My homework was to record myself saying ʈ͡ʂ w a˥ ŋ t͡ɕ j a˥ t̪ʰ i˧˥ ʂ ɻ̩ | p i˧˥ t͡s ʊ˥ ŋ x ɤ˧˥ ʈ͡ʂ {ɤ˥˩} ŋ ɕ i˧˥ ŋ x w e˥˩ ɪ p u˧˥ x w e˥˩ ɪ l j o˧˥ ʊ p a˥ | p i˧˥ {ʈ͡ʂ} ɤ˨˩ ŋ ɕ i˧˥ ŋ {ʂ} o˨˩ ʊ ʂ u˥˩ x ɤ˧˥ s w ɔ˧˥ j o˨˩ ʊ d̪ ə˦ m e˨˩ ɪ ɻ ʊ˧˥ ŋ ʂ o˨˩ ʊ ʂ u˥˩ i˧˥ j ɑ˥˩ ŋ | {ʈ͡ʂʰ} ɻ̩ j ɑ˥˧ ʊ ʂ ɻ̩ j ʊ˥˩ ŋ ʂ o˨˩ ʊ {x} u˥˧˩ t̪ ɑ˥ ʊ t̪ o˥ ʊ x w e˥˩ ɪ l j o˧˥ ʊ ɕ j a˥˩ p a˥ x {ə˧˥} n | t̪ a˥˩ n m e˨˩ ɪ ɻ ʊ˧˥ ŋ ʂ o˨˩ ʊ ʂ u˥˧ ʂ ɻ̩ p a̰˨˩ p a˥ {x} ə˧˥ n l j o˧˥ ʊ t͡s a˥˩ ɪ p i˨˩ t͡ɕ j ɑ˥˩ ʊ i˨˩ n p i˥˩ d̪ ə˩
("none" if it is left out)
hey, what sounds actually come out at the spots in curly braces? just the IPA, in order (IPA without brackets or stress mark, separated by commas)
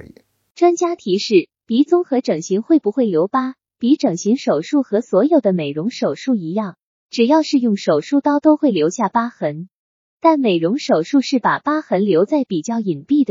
ɤ˨˩, ʈ͡ʂ, ʂ, ʈ͡ʂ, ʂ, ə˧˥, x